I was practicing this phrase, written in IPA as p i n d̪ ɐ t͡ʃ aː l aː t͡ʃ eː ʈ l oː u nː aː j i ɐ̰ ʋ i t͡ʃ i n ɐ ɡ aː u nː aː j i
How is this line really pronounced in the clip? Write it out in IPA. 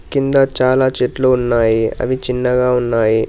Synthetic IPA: k i n d̪ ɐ t͡ʃ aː l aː t͡ʃ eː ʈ l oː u nː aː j i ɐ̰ ʋ i t͡ʃ i nː ɐ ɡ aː u nː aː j i